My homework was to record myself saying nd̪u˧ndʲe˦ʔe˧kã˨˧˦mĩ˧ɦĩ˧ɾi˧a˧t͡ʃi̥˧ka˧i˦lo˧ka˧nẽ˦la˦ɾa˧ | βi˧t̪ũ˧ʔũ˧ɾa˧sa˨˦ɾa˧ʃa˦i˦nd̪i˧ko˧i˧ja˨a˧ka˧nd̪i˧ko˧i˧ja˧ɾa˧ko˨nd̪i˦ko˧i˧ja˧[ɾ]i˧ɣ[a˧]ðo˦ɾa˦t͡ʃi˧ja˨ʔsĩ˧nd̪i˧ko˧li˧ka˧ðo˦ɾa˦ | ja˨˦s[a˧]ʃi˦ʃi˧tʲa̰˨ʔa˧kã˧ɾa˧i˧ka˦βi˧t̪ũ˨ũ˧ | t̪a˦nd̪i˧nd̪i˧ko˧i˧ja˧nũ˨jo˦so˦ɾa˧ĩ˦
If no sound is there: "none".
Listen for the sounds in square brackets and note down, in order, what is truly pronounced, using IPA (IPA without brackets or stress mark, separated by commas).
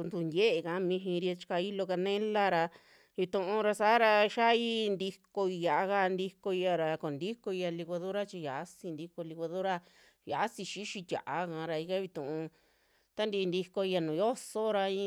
l, a˧, i˧